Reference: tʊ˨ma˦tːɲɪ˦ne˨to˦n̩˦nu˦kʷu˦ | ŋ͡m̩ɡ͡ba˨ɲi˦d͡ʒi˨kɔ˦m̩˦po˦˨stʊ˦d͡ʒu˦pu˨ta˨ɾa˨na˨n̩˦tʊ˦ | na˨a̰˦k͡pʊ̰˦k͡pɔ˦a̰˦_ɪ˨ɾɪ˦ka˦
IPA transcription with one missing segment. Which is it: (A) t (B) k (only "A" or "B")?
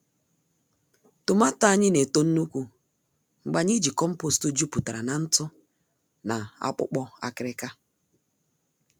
B